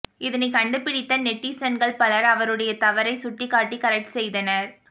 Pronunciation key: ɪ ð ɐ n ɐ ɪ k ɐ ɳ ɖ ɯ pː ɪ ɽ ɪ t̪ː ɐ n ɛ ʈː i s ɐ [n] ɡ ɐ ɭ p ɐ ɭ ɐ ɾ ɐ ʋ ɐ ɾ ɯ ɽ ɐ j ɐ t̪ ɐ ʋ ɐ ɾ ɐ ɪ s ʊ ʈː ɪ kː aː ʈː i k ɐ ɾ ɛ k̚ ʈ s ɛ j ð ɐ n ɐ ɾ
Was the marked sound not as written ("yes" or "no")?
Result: no